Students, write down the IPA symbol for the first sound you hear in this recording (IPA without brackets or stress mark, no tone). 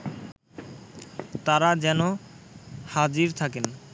t̪